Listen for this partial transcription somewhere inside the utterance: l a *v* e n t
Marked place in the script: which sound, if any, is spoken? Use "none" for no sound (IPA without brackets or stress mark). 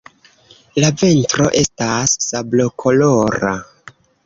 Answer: v